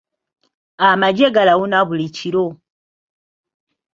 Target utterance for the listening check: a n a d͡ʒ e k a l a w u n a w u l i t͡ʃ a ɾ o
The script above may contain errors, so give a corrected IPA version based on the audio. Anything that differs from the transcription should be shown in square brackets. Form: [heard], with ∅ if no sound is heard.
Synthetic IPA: a [m] a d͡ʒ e [ɡ] a l a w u n a [β] u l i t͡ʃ [i] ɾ o